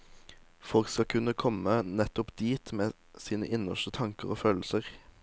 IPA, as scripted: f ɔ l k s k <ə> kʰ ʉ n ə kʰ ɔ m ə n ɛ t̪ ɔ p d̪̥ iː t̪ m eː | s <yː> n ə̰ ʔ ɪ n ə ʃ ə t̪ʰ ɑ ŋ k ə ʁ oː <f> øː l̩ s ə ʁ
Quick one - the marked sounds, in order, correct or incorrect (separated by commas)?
incorrect, incorrect, correct